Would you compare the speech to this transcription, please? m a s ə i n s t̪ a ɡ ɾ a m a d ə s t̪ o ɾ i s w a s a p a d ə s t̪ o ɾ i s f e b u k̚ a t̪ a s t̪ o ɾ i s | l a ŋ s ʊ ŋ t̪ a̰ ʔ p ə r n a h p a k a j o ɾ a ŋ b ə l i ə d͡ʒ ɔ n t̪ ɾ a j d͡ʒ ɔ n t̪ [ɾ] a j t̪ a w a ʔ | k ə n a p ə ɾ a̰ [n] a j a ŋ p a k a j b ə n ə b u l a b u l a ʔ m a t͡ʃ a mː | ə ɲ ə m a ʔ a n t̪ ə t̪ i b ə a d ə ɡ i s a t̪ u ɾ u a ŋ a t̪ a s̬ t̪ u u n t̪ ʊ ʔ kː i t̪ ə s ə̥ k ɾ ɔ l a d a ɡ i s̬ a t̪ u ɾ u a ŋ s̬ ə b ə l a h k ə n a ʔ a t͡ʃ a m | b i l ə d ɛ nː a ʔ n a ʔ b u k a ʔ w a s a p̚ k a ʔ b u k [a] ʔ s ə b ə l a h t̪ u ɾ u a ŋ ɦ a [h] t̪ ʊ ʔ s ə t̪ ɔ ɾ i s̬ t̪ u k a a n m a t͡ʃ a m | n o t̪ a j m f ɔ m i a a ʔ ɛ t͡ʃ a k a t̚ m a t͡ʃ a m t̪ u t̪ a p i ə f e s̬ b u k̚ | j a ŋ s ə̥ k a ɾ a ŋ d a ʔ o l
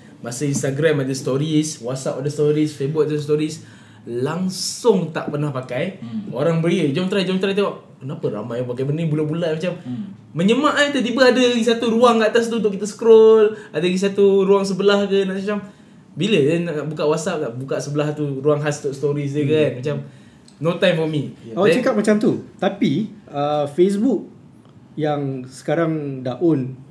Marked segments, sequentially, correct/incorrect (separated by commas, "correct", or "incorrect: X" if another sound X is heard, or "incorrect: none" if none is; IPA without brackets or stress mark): correct, incorrect: m, correct, incorrect: s